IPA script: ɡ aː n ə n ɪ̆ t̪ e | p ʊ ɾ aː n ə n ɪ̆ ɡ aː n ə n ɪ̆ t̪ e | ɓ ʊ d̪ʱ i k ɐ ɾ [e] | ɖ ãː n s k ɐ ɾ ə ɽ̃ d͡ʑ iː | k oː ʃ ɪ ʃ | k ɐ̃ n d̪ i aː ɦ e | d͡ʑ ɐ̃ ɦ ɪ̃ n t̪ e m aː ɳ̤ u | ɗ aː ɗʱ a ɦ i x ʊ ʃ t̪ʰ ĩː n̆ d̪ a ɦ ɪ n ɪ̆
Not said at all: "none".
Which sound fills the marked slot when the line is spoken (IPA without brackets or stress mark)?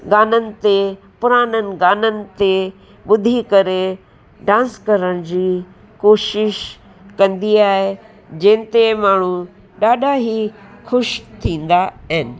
e